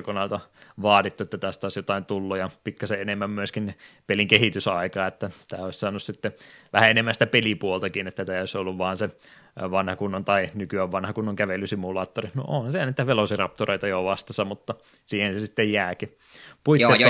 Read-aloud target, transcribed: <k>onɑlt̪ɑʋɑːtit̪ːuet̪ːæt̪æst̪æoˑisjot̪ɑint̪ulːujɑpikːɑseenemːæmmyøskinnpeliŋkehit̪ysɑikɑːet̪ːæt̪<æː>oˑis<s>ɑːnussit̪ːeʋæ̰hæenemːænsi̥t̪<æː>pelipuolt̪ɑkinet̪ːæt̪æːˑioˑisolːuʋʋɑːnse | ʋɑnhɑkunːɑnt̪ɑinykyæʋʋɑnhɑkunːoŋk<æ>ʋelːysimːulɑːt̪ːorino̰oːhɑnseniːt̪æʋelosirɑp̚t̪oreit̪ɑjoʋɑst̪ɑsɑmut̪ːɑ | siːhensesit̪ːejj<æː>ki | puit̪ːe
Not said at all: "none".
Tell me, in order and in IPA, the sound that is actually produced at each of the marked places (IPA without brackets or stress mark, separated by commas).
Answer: k, æː, s, æ, æ, æː